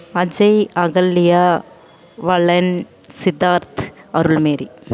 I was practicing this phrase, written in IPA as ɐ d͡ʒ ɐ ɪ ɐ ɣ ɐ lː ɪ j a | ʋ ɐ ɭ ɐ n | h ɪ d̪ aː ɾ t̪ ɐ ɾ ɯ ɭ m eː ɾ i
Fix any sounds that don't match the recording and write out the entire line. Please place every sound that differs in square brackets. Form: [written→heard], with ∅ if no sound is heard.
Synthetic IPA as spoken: ɐ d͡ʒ ɐ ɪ ɐ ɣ ɐ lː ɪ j a | ʋ ɐ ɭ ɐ n | [h→s] ɪ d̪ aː ɾ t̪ ɐ ɾ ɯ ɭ m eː ɾ i